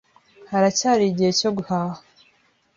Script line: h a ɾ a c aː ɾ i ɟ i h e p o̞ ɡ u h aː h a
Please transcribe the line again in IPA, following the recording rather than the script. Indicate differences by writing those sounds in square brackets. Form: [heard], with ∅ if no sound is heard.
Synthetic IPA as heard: h a ɾ a c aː ɾ i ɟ i h e [c] o̞ ɡ u h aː h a